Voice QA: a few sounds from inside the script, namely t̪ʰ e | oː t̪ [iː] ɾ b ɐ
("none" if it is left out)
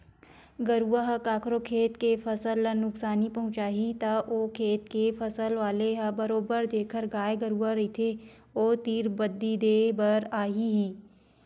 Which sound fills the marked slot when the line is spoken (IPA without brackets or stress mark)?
iː